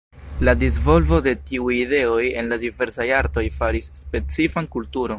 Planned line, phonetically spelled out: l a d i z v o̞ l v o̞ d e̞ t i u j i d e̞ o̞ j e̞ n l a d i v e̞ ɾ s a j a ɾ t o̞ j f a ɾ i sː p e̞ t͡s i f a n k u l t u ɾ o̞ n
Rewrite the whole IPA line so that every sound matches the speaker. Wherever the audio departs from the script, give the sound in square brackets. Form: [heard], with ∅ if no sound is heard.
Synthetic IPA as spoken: l a d i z v o̞ l v o̞ d e̞ t i u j i d e̞ o̞ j e̞ n l a d i v e̞ ɾ s a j a ɾ t o̞ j f a ɾ i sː p e̞ t͡s i f a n k u l t u ɾ o̞ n